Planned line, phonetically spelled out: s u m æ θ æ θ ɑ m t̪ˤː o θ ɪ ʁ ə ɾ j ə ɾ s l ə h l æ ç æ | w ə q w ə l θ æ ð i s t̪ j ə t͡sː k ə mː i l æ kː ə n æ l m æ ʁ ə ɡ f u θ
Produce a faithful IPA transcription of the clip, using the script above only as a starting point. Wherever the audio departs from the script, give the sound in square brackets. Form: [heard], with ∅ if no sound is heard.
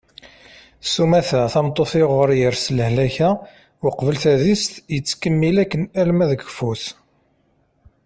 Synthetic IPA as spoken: s u m æ θ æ θ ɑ m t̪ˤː o θ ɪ ʁ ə ɾ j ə ɾ s l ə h l æ ç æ | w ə q [v] ə l θ æ ð i s t̪ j ə t͡sː k ə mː i l æ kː ə n æ l m æ [ð] ə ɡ f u θ

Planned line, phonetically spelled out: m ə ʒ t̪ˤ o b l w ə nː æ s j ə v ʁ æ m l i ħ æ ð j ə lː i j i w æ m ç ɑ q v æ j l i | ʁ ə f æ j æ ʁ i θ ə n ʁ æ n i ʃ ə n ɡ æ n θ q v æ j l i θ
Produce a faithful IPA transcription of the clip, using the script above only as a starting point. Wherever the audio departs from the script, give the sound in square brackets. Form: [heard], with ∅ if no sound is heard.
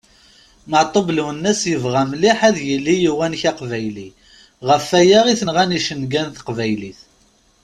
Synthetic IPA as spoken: m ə [ʕ] t̪ˤ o b l w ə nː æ s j ə v ʁ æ m l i ħ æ ð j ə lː i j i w æ [n] ç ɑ q v æ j l i | ʁ ə f æ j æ ʁ i θ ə n ʁ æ n i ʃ ə n ɡ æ n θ q v æ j l i θ

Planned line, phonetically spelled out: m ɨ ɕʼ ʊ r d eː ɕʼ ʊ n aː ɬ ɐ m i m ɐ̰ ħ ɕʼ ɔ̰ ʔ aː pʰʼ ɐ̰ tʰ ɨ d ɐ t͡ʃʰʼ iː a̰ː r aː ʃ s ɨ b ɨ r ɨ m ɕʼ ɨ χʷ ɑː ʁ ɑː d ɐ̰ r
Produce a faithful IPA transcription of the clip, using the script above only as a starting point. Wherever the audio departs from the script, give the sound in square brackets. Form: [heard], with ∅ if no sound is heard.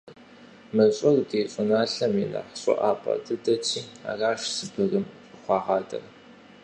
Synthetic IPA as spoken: m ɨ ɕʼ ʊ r d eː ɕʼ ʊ n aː ɬ ɐ m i [n] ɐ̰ ħ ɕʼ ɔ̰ ʔ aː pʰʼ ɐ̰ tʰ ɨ d ɐ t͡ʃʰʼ iː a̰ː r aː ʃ s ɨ b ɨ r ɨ m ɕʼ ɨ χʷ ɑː ʁ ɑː d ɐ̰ r

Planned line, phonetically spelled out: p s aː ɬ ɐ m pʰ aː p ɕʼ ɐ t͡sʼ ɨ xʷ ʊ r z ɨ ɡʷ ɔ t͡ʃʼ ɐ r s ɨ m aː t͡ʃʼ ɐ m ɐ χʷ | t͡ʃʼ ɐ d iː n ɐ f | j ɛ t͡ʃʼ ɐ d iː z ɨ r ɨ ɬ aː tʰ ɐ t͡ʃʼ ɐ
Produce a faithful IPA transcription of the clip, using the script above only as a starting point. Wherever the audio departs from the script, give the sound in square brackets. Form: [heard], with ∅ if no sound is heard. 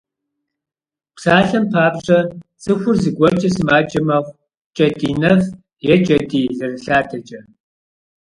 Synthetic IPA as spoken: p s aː ɬ ɐ m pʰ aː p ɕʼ ɐ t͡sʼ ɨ xʷ ʊ r z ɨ ɡʷ ɔ t͡ʃʼ ɐ [∅] s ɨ m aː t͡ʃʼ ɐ m ɐ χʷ | t͡ʃʼ ɐ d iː n ɐ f | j ɛ t͡ʃʼ ɐ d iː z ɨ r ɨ ɬ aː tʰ ɐ t͡ʃʼ ɐ

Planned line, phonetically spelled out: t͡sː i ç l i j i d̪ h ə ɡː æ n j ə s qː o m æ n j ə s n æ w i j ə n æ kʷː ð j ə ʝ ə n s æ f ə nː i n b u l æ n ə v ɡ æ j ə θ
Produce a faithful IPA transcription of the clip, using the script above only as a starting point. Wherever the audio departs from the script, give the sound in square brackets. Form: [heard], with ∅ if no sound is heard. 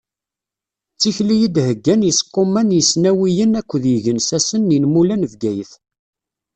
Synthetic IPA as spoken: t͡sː i ç l i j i d̪ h ə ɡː æ n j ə s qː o m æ n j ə s n æ w i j ə n æ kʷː ð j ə ʝ ə n s æ [s] ə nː i n [m] u l æ n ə v ɡ æ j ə θ

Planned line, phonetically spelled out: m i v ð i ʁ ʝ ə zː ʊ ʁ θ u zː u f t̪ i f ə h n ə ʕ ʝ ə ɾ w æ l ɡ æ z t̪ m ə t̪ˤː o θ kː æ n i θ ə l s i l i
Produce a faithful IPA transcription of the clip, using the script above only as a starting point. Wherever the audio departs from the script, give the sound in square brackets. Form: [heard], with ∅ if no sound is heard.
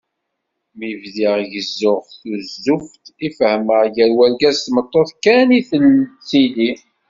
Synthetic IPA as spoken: m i v ð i ʁ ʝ ə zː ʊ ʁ θ u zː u f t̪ i f ə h [m] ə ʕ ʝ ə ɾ w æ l ɡ æ z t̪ m ə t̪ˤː o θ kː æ n i θ ə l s i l i

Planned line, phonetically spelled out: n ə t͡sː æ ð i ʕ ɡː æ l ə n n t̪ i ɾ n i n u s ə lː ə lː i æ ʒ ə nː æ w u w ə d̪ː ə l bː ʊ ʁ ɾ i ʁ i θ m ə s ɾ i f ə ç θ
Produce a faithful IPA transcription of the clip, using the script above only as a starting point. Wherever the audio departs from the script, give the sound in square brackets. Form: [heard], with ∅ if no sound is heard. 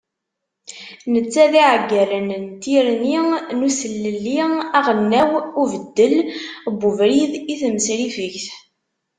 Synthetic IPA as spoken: n ə t͡sː æ ð i ʕ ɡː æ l ə n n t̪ i ɾ n i n u s ə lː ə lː i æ [ʁ] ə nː æ w u [v] ə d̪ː ə l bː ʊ [v] ɾ i [ð] i θ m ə s ɾ i f ə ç θ

